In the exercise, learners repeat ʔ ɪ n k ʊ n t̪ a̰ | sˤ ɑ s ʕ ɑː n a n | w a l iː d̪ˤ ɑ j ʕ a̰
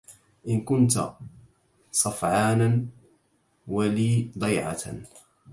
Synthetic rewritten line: ʔ ɪ n k ʊ n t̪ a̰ | sˤ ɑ f ʕ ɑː n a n | w a l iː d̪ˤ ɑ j ʕ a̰